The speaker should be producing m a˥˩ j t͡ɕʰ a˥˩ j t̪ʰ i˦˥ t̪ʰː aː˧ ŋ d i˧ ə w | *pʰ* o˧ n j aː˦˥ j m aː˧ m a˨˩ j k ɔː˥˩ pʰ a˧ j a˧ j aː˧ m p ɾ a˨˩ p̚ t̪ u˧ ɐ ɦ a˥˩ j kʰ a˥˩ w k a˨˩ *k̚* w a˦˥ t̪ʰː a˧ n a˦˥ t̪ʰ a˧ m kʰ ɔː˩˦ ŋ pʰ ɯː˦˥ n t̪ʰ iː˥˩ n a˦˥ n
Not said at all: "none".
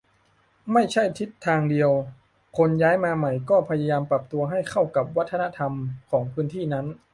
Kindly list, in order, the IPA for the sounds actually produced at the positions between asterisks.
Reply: kʰ, p̚

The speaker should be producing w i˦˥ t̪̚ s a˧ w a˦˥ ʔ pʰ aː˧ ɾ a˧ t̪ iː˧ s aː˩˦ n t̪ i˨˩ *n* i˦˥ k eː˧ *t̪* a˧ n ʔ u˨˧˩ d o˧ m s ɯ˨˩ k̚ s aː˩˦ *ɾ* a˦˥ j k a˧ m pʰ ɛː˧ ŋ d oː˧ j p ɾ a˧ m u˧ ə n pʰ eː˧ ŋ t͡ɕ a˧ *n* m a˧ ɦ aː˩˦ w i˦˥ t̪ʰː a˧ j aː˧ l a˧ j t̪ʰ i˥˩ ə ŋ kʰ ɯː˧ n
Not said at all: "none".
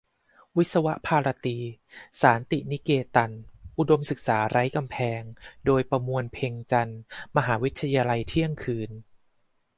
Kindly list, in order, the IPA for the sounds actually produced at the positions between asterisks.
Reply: n, t̪, ɾ, n

